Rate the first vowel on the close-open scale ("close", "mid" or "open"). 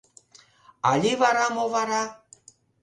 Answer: open